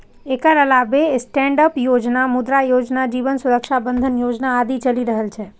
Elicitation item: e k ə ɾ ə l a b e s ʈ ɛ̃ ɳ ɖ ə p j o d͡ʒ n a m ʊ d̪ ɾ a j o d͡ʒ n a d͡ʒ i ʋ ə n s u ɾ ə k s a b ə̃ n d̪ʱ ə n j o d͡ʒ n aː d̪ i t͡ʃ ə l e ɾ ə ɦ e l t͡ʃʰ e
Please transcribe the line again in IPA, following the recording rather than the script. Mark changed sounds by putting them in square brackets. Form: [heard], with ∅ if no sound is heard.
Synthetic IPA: e k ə ɾ ə l a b e s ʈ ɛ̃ ɳ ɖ ə p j o d͡ʒ n a m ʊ d̪ ɾ a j o d͡ʒ n a d͡ʒ i ʋ ə n s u ɾ ə k [ʃ] a b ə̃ n d̪ʱ ə n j o d͡ʒ n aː d̪ i t͡ʃ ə l [i] ɾ ə ɦ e l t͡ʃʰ e